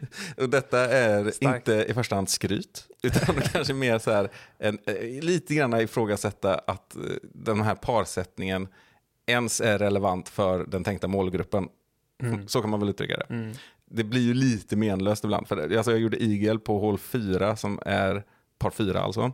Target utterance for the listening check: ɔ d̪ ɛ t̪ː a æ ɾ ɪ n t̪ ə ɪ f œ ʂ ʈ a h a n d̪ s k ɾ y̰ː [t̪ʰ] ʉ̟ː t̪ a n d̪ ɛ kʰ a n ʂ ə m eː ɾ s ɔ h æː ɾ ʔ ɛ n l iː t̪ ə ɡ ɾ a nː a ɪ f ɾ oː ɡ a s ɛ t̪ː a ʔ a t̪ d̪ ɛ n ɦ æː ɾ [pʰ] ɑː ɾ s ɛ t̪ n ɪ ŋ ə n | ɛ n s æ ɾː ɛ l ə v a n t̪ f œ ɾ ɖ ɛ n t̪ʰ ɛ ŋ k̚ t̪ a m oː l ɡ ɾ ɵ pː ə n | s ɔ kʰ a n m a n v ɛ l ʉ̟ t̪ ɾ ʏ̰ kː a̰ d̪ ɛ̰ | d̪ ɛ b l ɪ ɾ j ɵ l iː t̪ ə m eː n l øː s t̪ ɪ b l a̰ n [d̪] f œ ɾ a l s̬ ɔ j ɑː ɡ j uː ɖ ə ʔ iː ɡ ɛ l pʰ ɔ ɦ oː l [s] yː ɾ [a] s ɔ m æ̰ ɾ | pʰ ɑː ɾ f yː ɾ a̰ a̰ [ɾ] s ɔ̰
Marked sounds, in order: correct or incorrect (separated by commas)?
incorrect, correct, correct, incorrect, correct, incorrect